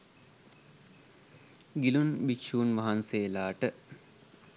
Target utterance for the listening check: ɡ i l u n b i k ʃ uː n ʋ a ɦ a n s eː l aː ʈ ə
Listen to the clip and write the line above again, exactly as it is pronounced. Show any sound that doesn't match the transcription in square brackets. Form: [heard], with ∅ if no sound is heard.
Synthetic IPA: ɡ i l u n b i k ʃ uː n ʋ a ɦ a n s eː l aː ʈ ə